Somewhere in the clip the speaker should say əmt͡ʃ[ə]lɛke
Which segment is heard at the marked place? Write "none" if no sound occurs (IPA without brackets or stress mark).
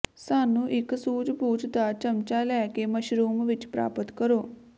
a